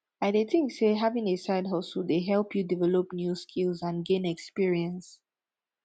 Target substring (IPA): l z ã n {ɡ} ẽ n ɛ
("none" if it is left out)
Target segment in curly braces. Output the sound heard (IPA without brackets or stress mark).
ɡ